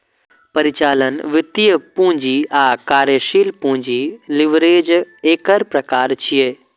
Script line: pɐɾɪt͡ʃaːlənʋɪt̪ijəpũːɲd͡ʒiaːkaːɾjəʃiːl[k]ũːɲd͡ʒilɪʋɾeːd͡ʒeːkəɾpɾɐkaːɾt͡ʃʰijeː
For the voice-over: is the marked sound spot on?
no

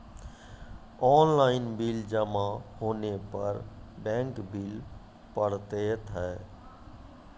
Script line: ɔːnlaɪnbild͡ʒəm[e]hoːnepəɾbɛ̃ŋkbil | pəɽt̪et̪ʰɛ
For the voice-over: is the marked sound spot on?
no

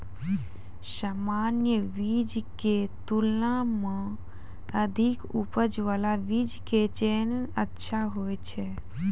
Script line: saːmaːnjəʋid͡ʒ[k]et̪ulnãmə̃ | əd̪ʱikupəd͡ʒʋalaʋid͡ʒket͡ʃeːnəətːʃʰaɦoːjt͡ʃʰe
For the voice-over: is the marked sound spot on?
yes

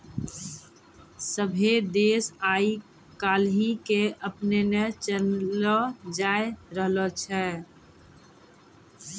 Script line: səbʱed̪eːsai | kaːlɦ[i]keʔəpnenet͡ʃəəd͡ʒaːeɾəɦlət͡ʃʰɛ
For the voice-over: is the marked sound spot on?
yes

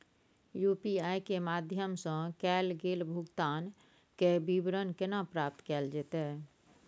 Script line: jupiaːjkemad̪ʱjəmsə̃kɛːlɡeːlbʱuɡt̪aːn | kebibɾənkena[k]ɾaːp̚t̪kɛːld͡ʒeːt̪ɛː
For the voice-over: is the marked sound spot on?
no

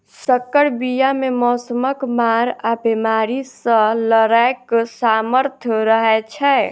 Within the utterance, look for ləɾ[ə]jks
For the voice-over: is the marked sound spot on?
no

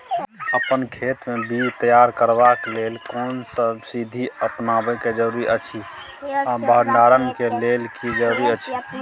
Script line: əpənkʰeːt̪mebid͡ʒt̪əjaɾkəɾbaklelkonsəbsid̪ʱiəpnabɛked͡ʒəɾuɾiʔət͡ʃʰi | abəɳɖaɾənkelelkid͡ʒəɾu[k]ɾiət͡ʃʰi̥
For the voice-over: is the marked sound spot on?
no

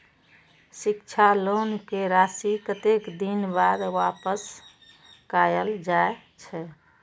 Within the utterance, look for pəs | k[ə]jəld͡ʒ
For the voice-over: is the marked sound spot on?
no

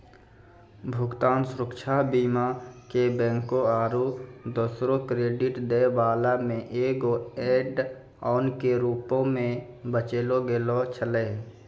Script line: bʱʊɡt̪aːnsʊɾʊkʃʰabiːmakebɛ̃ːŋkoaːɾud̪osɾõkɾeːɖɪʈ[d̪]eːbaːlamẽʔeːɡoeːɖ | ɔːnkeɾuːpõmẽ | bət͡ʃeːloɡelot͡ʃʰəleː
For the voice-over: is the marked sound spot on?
yes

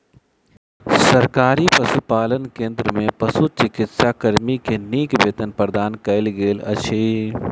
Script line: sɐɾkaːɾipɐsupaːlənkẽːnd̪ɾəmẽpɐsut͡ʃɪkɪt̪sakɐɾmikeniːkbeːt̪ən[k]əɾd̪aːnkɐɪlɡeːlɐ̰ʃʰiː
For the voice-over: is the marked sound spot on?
no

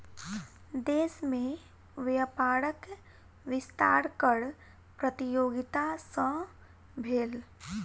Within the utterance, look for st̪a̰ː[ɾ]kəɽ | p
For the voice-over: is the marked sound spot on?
yes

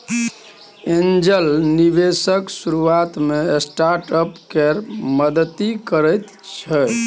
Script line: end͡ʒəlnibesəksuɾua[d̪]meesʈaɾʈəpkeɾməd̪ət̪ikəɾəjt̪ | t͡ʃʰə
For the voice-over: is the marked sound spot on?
no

